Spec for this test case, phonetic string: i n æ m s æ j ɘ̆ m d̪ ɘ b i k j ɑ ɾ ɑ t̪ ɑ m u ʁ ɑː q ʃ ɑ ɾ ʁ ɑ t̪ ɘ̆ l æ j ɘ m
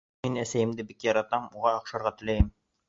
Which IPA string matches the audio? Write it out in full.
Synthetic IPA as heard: i n æ s æ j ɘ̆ m d̪ ɘ b i k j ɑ ɾ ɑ t̪ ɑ m u ʁ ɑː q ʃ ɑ ɾ ʁ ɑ t̪ ɘ̆ l æ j ɘ m